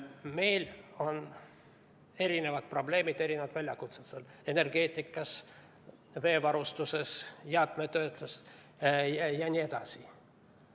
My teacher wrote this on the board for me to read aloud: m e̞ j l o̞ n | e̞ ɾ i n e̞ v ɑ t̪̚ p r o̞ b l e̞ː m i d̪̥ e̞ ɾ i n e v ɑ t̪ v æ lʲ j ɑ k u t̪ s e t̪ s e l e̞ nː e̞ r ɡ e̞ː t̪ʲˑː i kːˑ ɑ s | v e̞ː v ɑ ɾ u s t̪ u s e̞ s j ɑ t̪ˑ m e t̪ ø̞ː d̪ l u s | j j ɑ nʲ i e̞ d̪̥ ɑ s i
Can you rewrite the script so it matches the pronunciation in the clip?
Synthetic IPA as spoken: m e̞ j l o̞ n | e̞ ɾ i n e̞ v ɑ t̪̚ p r o̞ b l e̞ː m i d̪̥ e̞ ɾ i n e v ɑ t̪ v æ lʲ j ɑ k u t̪ s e t̪ s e l e̞ n e̞ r ɡ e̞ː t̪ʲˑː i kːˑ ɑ s | v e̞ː v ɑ ɾ u s t̪ u s e̞ s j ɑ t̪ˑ m e t̪ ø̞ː t̪ l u s | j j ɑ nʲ i e̞ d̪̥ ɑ s i